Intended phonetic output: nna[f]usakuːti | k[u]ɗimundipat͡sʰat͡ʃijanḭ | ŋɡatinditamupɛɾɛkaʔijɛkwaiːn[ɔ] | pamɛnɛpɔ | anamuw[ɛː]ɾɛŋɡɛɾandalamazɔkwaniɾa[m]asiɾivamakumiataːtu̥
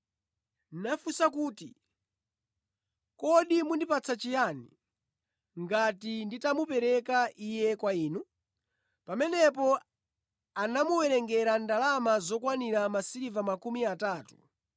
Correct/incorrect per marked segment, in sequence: correct, incorrect, incorrect, incorrect, correct

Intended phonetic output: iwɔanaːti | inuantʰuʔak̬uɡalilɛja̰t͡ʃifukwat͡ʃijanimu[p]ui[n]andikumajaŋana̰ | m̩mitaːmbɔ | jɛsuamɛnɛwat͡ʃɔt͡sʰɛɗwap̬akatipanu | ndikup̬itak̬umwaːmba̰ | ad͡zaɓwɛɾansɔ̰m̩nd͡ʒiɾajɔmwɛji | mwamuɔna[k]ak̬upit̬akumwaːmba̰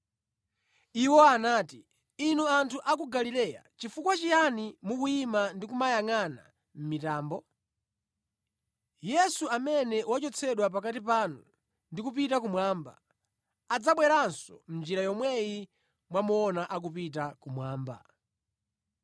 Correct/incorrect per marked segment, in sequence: incorrect, incorrect, incorrect

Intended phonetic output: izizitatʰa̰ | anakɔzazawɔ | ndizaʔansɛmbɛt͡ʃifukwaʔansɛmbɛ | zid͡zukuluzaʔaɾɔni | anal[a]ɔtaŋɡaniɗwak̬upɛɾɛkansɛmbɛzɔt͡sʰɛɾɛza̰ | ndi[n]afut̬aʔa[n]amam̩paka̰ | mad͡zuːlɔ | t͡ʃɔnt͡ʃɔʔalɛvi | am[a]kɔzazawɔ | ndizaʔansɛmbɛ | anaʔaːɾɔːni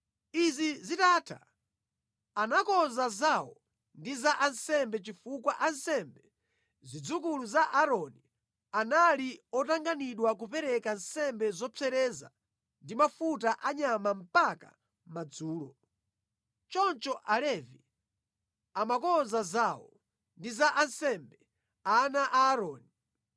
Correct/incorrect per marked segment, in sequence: incorrect, incorrect, incorrect, correct

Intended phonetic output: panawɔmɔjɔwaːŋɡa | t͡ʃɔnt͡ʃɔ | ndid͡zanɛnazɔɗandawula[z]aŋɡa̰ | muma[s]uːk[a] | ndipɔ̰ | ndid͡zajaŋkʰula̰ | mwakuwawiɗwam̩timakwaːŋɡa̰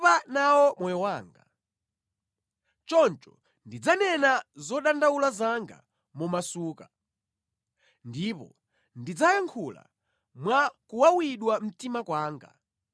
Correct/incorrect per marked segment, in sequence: correct, correct, correct

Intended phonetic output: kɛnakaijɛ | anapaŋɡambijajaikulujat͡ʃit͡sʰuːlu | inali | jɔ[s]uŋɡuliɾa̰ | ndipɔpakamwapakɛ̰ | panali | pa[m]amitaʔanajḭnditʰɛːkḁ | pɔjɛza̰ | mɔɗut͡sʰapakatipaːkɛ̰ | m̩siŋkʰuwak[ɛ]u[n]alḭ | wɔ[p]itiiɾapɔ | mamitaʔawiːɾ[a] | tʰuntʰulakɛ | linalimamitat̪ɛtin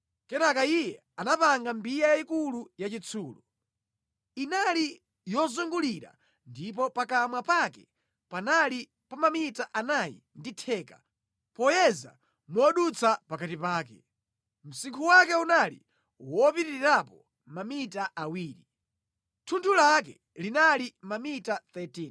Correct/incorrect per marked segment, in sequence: incorrect, correct, correct, correct, correct, incorrect

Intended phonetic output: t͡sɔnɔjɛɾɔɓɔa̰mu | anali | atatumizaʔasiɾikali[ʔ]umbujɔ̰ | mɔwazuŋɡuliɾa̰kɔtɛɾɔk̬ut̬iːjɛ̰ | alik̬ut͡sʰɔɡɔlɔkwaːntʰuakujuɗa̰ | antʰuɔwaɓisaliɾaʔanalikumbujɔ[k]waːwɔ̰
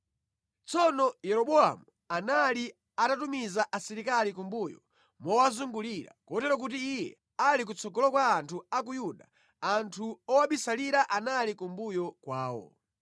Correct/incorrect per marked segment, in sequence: incorrect, correct

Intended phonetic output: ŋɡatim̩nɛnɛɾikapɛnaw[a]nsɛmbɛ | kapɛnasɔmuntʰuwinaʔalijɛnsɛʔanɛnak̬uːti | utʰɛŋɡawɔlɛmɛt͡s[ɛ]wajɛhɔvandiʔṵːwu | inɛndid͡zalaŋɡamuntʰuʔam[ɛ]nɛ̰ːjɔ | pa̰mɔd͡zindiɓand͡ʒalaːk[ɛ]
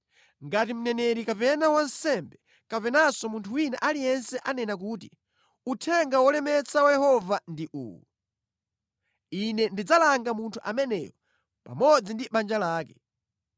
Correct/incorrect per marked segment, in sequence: correct, incorrect, correct, correct

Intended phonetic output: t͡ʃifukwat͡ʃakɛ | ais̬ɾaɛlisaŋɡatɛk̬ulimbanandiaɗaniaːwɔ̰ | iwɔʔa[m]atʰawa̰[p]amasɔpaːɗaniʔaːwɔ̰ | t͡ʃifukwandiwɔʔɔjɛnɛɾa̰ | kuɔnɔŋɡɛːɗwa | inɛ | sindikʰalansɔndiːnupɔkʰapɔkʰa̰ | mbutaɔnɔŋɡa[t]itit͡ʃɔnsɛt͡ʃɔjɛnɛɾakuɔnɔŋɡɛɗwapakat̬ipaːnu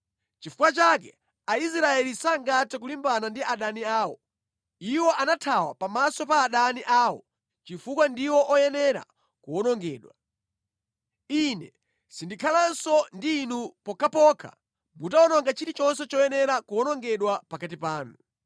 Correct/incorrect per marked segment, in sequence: incorrect, correct, incorrect

